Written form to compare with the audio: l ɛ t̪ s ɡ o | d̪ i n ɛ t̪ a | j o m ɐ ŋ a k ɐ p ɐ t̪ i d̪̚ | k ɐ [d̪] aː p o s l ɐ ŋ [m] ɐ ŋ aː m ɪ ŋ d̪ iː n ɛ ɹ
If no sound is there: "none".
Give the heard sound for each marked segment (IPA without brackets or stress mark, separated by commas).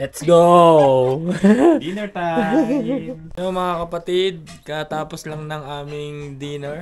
t̪, n